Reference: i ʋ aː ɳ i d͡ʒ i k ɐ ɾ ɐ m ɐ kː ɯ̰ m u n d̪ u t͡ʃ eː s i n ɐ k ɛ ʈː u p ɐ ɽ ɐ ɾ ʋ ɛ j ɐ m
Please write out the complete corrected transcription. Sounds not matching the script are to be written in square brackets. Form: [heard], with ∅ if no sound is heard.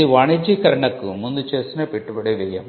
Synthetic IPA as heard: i ʋ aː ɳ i d͡ʒ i k ɐ ɾ ɐ [ɳ] ɐ kː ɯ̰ m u n d̪ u t͡ʃ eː s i n ɐ [p] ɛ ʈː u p ɐ ɽ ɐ [∅] ʋ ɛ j ɐ m